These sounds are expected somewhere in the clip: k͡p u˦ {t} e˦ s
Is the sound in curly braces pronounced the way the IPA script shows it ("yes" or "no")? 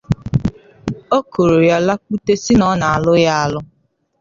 yes